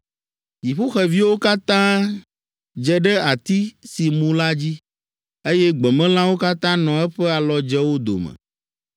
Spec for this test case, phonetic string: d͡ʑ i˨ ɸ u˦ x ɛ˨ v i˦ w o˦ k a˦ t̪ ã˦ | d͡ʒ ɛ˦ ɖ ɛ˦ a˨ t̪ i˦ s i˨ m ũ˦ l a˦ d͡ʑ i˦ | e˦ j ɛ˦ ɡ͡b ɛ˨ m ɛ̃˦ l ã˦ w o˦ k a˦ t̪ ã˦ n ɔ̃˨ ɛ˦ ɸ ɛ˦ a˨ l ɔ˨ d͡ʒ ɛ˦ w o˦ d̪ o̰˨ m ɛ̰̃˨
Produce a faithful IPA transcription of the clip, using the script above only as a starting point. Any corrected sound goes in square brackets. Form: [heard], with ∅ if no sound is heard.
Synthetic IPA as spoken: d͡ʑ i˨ ɸ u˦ x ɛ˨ v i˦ w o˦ k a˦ t̪ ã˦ | d͡ʒ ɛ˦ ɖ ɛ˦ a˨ t̪ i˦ s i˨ m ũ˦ l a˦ d͡ʑ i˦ | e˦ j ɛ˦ ɡ͡b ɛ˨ m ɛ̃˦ l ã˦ w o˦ k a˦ t̪ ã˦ n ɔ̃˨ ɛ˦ ɸ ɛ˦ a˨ l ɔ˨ d͡ʒ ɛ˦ w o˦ d̪ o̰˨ m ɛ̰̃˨

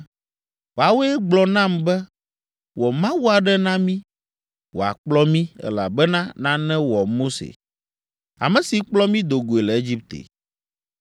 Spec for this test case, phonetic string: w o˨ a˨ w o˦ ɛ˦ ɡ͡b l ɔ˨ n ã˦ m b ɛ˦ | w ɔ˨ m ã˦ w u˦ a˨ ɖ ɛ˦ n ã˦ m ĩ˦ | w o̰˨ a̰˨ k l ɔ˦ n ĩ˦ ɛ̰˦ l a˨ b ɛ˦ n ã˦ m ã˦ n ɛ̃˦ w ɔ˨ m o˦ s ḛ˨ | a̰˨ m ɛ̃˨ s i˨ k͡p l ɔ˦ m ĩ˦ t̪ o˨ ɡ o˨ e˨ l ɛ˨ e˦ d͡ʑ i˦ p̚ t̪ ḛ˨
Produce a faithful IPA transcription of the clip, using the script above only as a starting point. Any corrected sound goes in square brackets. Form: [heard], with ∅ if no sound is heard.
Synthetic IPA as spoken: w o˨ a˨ w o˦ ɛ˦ ɡ͡b l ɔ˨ n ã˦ m b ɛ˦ | w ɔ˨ m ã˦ w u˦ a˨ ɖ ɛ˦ n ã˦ m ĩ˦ | w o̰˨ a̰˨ [k͡p] l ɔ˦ [m] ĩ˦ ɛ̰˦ l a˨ b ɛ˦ n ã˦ [n] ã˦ n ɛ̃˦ w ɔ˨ m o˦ s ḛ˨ | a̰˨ m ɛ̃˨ s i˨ k͡p l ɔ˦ m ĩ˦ [d̪] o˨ ɡ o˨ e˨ l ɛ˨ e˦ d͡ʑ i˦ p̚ t̪ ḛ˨

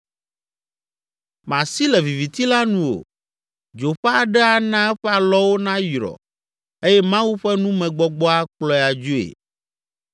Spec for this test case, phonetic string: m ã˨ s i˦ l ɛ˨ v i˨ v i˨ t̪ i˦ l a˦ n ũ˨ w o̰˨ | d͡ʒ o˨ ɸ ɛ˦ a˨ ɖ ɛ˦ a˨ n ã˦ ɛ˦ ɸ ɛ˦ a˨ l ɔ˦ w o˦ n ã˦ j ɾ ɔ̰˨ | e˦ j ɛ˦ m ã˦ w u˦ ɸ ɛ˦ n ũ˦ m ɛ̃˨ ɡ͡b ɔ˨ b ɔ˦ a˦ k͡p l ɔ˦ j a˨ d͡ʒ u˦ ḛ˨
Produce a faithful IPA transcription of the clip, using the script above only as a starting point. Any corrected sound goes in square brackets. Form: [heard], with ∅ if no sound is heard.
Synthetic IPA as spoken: m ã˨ s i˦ l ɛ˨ v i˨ v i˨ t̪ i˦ l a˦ n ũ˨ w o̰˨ | d͡ʒ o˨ ɸ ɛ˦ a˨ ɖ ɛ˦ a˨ n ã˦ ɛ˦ ɸ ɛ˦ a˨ l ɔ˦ w o˦ n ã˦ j ɾ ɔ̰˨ | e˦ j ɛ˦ m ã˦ w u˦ ɸ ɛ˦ n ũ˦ m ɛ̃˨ ɡ͡b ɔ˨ [ɡ͡b] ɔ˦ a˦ k͡p l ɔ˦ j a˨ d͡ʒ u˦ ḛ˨

